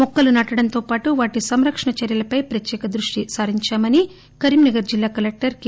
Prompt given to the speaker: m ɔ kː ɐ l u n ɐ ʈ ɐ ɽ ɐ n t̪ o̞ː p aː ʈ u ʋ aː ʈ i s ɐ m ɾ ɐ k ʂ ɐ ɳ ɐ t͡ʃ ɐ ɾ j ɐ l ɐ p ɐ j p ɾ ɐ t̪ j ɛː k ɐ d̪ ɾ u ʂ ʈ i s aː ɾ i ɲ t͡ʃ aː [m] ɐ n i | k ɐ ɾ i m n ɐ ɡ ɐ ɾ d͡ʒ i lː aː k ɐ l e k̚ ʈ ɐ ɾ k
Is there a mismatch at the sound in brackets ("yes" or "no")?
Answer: no